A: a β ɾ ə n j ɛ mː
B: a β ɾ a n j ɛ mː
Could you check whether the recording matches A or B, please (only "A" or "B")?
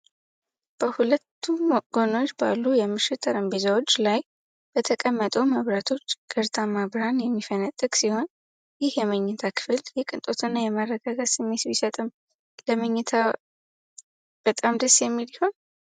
B